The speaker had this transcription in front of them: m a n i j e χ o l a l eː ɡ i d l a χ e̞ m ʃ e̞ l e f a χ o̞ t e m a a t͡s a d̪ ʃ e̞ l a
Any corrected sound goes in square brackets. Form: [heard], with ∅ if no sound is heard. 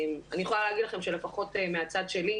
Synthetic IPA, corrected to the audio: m a n i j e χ o l a l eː ɡ i d l a χ e̞ m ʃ e̞ l e f a χ o̞ t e m [e] a t͡s a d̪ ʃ e̞ l [i]